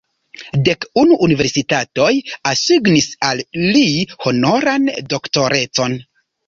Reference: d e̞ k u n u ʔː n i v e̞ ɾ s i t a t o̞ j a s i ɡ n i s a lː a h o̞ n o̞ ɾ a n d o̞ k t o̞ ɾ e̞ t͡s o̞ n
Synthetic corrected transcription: d e̞ k u n u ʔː n i v e̞ ɾ s i t a t o̞ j a s i ɡ n i s a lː i h o̞ n o̞ ɾ a n d o̞ k t o̞ ɾ e̞ t͡s o̞ n